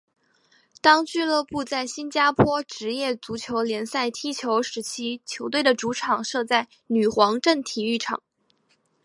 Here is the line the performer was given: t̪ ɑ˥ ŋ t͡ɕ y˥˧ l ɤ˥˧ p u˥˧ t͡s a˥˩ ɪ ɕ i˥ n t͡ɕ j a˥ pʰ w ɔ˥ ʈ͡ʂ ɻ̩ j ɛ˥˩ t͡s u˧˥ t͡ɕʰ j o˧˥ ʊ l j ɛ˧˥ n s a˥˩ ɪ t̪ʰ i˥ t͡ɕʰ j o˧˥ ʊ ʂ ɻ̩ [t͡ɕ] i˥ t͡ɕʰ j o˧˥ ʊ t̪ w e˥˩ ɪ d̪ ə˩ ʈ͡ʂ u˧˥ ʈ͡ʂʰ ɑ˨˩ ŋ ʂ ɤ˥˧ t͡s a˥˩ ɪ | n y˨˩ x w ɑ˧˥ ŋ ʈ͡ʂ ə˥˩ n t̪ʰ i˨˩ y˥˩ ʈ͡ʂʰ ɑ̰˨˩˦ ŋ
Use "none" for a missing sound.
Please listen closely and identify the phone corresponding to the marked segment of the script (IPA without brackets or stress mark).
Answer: t͡ɕʰ